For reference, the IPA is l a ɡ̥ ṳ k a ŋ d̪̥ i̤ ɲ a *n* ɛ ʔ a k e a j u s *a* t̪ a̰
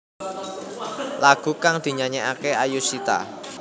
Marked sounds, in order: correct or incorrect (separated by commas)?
incorrect, incorrect